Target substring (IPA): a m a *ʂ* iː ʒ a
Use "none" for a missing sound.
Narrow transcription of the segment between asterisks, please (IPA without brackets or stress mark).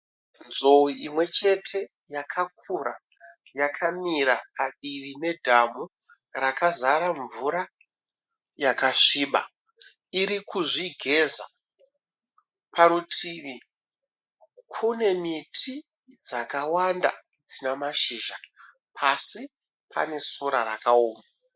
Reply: ʃ